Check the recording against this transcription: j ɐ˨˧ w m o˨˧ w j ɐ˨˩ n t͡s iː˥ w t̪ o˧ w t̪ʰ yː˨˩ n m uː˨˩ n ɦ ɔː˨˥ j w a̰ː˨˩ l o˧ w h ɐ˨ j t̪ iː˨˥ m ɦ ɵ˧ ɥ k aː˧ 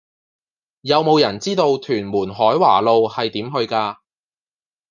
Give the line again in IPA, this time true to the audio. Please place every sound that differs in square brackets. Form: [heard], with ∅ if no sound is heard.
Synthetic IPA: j ɐ˨˧ w m o˨˧ w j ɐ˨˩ n t͡s iː˥ [∅] t̪ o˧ w t̪ʰ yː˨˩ n m uː˨˩ n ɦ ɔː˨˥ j w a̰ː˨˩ l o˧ w h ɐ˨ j t̪ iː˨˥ m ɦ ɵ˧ ɥ k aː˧